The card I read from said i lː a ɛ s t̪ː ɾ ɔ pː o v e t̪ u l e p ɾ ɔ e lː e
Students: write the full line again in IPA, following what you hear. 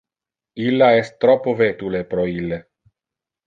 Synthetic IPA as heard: i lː a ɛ s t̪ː ɾ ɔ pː o v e t̪ u l e p ɾ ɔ i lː e